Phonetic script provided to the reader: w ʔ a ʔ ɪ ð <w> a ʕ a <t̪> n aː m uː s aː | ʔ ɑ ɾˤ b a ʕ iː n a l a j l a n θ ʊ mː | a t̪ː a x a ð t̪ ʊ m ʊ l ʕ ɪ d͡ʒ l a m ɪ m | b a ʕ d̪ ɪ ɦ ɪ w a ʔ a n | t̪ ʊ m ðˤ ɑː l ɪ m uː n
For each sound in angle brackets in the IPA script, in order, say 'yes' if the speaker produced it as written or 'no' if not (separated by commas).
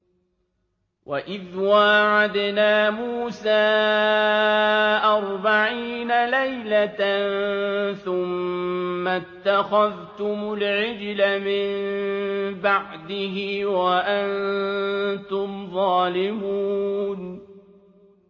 yes, no